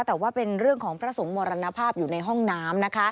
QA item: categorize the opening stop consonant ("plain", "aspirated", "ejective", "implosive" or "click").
plain